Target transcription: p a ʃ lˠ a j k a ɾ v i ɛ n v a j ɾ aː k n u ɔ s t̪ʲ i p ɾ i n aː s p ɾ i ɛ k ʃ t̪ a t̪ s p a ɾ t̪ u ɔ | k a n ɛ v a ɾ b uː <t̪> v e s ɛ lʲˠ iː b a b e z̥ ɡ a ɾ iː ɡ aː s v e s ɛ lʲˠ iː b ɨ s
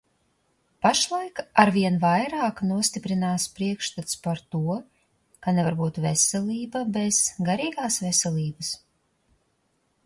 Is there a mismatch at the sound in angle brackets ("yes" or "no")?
no